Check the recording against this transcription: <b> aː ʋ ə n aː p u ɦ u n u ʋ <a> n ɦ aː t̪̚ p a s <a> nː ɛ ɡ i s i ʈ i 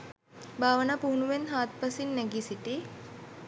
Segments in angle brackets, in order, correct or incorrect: correct, incorrect: e, incorrect: i

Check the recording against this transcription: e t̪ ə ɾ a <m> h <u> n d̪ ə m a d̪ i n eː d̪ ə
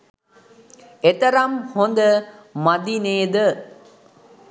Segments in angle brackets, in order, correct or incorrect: correct, incorrect: o

